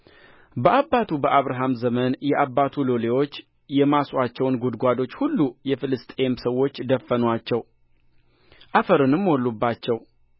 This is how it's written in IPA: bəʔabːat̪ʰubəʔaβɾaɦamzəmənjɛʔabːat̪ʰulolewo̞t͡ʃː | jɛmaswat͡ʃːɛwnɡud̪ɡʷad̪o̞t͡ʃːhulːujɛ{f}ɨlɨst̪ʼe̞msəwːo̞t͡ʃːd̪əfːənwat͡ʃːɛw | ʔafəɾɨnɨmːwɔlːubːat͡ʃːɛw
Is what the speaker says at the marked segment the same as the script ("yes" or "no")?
yes